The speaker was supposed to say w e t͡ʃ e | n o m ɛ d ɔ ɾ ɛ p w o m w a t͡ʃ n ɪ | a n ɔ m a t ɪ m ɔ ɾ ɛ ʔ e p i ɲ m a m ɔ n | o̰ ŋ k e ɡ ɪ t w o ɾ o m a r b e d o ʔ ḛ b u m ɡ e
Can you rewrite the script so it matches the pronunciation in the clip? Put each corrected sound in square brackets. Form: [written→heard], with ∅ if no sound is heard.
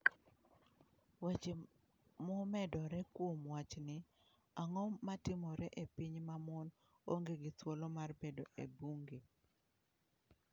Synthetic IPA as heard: w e t͡ʃ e | [n→m] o m ɛ d ɔ ɾ ɛ [p→k] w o m w a t͡ʃ n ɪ | a [n→ŋ] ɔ m a t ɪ m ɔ ɾ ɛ ʔ e p i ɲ m a m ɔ n | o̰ ŋ [k→ɡ] e ɡ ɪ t w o [ɾ→l] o m a r b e d o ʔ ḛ b u [m→ŋ] ɡ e